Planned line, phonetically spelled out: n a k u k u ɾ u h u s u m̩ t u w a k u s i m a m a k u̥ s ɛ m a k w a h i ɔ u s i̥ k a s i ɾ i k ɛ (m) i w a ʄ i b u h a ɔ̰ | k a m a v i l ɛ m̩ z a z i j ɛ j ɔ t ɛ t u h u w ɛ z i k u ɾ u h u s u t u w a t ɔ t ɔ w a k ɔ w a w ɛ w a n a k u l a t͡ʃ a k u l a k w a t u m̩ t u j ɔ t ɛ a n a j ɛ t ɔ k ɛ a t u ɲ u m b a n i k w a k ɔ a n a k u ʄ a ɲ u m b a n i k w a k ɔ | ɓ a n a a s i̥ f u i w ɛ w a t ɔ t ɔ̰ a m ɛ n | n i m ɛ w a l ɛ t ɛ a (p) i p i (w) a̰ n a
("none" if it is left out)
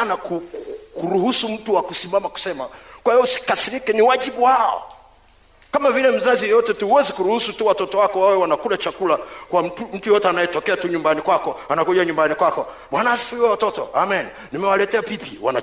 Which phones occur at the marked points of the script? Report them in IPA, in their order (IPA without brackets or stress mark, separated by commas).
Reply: n, p, w